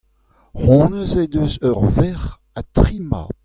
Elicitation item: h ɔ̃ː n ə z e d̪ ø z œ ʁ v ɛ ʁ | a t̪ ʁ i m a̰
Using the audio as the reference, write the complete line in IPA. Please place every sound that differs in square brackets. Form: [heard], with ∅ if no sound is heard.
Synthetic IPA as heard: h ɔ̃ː n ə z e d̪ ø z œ ʁ v ɛ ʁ | a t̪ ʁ i m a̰